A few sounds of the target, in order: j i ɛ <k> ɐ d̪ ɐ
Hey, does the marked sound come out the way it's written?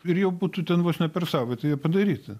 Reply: no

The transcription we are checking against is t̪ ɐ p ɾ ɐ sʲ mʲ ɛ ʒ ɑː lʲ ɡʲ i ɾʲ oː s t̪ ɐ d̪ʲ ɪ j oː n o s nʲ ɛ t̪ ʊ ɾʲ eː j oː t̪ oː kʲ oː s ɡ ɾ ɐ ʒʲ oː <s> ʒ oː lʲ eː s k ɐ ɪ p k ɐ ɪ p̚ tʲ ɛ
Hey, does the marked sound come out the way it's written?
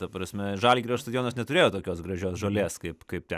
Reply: yes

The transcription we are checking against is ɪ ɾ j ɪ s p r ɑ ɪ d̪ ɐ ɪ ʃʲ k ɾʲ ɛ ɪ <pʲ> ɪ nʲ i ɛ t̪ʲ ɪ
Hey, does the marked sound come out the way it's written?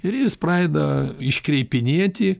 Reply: yes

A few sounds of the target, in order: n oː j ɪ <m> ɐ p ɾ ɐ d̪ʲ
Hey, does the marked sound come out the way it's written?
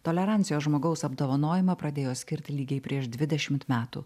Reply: yes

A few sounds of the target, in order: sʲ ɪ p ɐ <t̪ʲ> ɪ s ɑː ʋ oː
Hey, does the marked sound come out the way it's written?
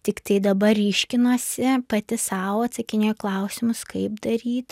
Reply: yes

